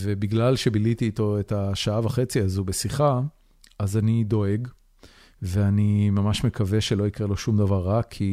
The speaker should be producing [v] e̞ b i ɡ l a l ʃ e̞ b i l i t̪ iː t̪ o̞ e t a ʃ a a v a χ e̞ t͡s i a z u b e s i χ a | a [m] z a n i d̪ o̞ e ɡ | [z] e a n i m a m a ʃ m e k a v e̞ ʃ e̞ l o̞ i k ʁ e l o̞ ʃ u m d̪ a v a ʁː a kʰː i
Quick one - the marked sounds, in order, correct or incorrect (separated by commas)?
correct, incorrect, incorrect